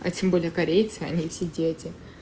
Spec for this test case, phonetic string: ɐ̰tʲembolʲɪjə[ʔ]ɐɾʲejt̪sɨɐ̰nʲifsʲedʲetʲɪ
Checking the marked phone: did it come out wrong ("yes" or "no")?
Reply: yes